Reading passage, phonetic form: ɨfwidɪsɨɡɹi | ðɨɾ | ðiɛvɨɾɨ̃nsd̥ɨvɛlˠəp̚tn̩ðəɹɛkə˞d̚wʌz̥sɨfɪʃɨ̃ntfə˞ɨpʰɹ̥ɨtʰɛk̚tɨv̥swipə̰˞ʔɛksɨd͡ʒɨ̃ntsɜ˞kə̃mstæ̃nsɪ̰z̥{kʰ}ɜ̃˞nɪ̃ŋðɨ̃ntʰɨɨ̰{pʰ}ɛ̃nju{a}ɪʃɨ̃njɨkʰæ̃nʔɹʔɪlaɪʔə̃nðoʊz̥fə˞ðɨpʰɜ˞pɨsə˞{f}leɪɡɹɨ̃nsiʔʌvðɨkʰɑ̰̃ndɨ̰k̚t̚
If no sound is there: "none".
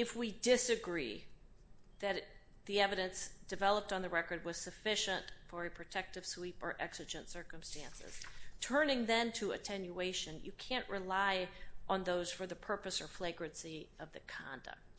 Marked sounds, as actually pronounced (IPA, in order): tʰ, tʰ, e, f

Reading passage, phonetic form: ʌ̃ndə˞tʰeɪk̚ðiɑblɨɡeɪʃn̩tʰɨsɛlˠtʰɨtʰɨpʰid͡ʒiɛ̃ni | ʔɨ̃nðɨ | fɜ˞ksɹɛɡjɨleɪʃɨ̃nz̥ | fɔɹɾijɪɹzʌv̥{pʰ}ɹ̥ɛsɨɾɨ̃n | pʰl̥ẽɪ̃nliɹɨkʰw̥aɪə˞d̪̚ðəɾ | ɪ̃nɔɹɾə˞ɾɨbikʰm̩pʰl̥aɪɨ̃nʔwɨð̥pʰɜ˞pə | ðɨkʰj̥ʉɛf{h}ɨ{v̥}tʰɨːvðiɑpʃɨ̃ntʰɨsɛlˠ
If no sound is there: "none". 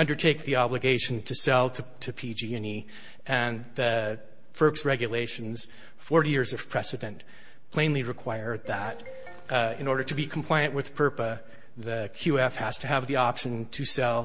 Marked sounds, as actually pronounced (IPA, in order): pʰ, h, z̥

